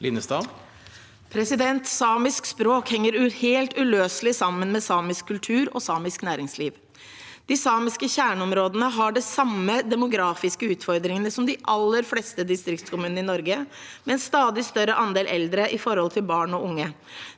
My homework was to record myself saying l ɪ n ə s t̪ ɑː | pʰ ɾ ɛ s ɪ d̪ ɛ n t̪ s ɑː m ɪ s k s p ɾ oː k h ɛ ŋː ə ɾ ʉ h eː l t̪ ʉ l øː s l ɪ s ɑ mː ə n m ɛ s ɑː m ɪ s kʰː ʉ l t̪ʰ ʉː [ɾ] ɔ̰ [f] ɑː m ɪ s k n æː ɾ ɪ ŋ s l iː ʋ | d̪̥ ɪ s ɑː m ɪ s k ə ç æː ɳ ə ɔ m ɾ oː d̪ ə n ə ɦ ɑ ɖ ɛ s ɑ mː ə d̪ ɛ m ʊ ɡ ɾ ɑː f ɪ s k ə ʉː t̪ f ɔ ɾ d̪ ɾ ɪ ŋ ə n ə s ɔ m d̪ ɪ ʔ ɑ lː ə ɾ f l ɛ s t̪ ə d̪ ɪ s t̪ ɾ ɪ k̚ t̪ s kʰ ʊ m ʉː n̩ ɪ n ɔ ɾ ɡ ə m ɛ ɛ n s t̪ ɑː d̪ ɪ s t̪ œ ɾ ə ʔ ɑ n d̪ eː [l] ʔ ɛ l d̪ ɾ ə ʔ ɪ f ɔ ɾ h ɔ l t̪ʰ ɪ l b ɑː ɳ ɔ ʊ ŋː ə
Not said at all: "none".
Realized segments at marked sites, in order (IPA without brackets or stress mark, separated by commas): ɾ, s, l